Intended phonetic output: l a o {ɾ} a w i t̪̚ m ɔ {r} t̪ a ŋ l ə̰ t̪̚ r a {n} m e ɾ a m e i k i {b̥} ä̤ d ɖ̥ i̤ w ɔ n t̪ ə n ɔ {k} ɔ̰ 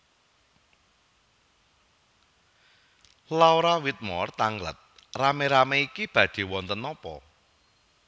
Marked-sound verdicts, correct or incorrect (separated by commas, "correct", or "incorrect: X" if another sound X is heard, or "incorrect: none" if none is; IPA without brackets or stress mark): correct, correct, incorrect: none, correct, incorrect: p